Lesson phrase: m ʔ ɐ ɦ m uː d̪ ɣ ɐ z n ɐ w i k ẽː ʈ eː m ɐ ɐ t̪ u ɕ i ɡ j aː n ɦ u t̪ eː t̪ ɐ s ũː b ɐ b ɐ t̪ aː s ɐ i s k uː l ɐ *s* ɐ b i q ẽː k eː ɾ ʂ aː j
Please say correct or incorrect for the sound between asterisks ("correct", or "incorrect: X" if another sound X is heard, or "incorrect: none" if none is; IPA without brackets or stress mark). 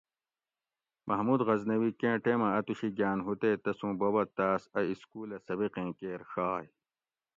correct